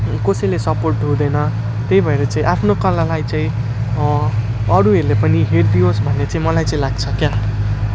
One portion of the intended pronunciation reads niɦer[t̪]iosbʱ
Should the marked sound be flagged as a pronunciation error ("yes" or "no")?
yes